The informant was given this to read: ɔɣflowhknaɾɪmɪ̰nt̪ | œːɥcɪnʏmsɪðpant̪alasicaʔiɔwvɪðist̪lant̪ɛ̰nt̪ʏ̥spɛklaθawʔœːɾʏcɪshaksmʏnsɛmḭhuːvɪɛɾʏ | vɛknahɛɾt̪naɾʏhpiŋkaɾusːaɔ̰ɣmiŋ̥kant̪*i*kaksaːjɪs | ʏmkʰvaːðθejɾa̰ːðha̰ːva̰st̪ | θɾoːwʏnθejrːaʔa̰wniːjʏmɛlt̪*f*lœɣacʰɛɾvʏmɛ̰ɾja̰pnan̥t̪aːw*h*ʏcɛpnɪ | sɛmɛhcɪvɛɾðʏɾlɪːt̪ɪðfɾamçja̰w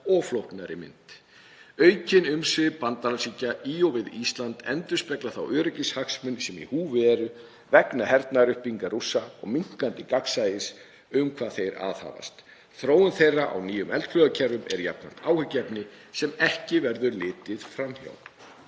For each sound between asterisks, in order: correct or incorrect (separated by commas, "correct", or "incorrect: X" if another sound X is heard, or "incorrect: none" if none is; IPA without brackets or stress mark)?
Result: incorrect: ɪ, correct, correct